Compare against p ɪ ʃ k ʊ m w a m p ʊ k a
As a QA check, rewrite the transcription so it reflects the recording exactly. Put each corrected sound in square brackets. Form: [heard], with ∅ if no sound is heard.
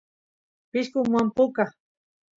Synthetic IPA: p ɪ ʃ k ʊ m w a m p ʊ k a

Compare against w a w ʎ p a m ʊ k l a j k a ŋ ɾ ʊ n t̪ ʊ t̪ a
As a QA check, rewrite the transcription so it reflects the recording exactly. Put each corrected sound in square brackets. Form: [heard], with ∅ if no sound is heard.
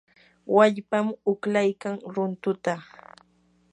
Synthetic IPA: w a [∅] ʎ p a m ʊ k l a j k a ŋ ɾ ʊ n t̪ ʊ t̪ a

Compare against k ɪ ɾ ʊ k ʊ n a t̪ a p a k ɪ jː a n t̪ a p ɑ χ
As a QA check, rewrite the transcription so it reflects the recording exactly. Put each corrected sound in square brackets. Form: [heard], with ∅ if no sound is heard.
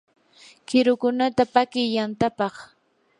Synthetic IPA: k ɪ ɾ ʊ k ʊ n a t̪ a p a k ɪ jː a n t̪ a p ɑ χ

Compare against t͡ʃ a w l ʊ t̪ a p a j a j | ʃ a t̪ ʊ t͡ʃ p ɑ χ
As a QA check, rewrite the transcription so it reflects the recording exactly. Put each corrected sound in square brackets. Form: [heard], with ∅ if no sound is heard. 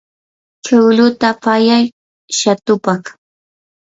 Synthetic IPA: t͡ʃ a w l ʊ t̪ a p a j a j | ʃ a t̪ ʊ [∅] p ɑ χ

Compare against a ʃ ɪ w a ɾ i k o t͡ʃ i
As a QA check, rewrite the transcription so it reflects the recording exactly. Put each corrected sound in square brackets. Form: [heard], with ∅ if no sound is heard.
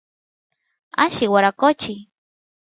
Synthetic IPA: a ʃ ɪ w a ɾ [a] k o t͡ʃ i

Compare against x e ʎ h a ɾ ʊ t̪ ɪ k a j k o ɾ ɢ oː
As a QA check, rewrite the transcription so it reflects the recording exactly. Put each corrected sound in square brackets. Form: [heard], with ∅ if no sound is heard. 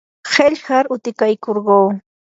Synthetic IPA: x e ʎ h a ɾ ʊ t̪ ɪ k a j k o ɾ ɢ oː

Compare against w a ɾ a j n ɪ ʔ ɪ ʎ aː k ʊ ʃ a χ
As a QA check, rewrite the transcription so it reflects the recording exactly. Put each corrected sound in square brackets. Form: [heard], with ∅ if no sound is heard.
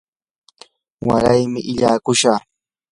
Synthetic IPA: w a ɾ a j [m] ɪ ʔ ɪ ʎ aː k ʊ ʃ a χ

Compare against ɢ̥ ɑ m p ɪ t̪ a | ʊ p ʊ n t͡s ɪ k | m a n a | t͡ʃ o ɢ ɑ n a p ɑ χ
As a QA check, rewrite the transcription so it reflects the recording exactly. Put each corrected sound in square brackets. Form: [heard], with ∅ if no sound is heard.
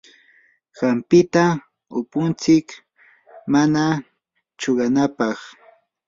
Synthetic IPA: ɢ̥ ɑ m p ɪ t̪ a | ʊ p ʊ n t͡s ɪ k | m a n a | t͡ʃ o ɢ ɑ n a p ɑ χ

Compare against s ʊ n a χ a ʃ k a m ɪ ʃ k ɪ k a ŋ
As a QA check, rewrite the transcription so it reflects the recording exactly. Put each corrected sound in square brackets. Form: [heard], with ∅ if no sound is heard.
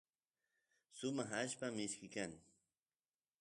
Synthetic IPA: s ʊ [m] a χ a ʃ [p] a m ɪ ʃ k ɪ k a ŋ

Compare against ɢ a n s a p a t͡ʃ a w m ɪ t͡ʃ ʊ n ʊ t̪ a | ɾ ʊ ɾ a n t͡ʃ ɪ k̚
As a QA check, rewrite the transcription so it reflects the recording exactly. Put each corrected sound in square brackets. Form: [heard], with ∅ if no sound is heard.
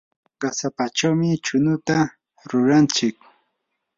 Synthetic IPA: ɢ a [∅] s a p a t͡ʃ a w m ɪ t͡ʃ ʊ n ʊ t̪ a | ɾ ʊ ɾ a n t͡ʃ ɪ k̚

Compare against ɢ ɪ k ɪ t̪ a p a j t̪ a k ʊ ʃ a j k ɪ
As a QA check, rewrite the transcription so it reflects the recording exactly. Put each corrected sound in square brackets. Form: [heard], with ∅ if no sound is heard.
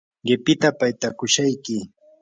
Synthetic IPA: ɢ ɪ [p] ɪ t̪ a p a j t̪ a k ʊ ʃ a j k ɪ

